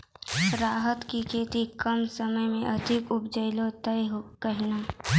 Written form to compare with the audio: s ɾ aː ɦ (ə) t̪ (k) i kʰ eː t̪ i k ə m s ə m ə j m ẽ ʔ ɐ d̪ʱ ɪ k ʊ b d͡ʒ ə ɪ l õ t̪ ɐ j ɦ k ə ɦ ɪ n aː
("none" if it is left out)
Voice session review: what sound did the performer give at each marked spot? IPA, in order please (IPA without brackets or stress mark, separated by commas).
ə, k